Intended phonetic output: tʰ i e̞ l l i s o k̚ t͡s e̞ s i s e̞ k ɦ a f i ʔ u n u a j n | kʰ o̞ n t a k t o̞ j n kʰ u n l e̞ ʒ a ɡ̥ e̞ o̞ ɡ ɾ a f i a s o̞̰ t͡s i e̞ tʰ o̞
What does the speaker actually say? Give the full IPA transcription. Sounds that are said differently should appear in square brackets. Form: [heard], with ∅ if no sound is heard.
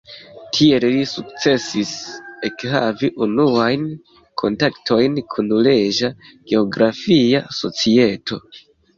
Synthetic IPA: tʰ i e̞ l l i s [u] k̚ t͡s e̞ s i s e̞ k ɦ a [v] i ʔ u n u a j n | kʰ o̞ n t a k t o̞ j n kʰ u n l e̞ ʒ a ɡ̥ e̞ o̞ ɡ ɾ a f i a s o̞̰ t͡s i e̞ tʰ o̞